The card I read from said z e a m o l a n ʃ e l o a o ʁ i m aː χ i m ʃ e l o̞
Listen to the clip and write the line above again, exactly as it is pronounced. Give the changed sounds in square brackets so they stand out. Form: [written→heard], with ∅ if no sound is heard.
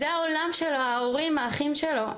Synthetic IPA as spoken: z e a [m→∅] o l a [n→m] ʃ e l o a o ʁ i m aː χ i m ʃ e l o̞

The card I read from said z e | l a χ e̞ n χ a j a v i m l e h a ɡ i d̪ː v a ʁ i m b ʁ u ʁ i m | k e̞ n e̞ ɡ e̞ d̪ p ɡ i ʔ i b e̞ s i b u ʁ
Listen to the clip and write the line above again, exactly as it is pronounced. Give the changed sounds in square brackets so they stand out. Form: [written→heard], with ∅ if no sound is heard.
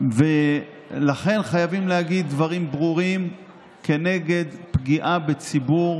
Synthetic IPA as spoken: [z→v] e | l a χ e̞ n χ a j a v i m l e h a ɡ i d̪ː v a ʁ i m b ʁ u ʁ i m | k e̞ n e̞ ɡ e̞ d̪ p ɡ i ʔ [i→a] b e̞ [s→t͡s] i b u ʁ

